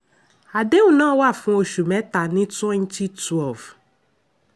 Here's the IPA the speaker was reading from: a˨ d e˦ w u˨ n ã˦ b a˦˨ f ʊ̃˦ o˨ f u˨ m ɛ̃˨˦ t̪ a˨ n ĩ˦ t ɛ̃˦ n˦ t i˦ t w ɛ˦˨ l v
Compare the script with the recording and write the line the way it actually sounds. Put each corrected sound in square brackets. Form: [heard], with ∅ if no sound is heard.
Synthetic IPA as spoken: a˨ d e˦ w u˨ n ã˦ [w] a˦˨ f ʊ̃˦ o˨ [ʃ] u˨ m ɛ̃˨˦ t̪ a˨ n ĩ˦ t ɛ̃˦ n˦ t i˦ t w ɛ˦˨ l v